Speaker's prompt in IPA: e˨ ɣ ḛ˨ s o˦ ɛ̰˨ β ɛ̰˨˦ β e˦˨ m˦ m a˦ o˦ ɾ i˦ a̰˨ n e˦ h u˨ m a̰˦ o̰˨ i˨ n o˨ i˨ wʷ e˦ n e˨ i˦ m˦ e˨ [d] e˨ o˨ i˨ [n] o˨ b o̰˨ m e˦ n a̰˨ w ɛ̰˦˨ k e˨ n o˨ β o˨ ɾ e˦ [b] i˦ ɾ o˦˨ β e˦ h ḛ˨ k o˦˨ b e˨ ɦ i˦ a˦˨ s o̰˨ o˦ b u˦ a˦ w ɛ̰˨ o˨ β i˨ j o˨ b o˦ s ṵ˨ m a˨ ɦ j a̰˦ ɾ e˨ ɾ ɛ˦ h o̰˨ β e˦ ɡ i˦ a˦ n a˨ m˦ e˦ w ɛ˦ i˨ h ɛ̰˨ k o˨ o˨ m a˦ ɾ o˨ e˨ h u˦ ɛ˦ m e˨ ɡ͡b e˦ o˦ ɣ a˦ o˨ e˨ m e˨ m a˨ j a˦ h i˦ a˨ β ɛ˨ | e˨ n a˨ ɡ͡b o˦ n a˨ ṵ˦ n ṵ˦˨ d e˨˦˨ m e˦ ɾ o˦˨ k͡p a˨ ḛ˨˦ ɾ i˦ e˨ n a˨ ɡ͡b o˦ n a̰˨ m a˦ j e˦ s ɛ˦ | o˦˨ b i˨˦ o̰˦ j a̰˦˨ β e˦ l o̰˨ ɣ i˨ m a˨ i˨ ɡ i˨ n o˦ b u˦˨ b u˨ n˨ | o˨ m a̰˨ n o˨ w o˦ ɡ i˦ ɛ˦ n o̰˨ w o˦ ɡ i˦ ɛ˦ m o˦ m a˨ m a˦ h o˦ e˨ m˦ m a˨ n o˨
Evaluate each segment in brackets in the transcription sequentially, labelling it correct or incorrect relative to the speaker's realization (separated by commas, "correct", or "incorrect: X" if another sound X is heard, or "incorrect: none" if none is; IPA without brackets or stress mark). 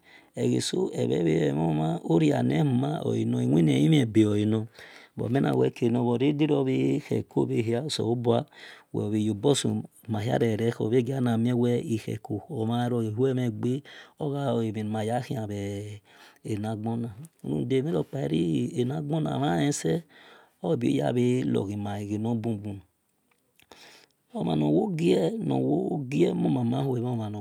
incorrect: b, correct, incorrect: d